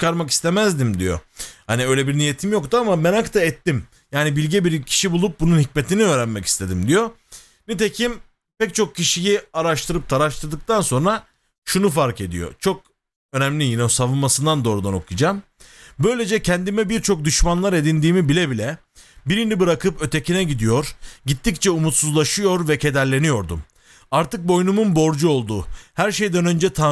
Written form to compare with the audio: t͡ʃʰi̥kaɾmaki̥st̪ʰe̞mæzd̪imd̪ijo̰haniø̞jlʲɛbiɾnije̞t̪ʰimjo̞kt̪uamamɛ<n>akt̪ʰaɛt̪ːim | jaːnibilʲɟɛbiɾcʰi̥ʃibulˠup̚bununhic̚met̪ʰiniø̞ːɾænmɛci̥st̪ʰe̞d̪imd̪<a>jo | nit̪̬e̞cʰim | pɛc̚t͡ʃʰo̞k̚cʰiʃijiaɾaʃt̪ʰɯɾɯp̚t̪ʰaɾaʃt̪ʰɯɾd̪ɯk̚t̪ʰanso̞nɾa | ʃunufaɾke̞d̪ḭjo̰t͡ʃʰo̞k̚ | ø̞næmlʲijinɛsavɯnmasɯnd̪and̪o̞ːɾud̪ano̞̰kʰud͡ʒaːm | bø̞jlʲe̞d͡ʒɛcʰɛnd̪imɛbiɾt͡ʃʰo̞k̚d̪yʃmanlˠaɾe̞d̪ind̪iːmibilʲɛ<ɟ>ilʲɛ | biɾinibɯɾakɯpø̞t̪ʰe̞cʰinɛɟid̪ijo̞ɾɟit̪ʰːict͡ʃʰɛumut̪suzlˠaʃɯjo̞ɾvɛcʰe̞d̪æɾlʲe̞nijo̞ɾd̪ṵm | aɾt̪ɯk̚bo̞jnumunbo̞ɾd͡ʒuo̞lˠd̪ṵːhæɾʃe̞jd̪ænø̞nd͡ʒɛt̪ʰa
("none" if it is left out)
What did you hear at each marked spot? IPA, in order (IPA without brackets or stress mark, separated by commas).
n, i, b